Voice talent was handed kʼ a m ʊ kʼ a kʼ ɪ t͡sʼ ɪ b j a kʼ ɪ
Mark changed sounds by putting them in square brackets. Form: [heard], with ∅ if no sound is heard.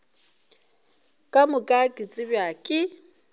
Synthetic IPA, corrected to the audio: kʼ a m ʊ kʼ a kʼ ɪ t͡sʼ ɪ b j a kʼ ɪ